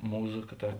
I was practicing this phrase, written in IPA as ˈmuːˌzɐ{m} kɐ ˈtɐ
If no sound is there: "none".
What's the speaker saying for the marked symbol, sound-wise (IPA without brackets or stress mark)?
none